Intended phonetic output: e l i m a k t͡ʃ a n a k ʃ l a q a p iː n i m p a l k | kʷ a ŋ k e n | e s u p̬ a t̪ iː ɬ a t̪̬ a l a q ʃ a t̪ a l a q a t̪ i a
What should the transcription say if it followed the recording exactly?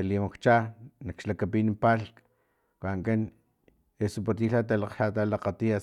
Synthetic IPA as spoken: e l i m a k t͡ʃ a n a k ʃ l a k a p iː n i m p a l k | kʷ a ŋ k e n | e s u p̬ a t̪ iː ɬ a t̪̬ a l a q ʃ a t̪ a l a q a t̪ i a